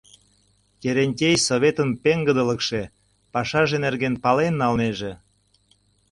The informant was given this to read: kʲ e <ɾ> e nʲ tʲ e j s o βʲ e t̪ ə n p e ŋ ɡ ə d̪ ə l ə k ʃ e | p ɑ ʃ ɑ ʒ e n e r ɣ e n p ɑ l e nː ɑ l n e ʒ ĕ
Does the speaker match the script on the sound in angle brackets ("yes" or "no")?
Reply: yes